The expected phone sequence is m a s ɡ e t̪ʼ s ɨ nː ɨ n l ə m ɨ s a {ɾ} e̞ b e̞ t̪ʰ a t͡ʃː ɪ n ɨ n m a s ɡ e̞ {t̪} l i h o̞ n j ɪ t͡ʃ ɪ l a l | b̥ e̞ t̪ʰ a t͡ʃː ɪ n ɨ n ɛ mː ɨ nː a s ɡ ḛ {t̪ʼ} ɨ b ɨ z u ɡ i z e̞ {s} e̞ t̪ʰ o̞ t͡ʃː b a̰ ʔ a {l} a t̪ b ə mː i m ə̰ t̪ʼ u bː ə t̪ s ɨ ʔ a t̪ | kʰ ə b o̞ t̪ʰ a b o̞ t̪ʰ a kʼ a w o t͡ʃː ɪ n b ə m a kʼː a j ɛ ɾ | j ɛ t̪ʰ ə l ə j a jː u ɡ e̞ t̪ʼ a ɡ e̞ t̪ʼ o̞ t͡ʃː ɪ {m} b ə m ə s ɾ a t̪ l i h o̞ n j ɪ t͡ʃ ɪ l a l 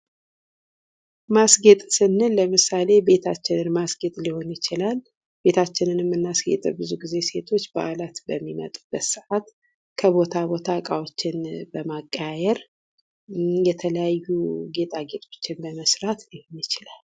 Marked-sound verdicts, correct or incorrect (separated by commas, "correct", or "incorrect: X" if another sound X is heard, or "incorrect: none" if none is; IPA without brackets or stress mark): incorrect: l, incorrect: t̪ʼ, correct, correct, correct, incorrect: n